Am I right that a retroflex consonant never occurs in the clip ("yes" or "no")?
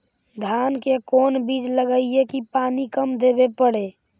no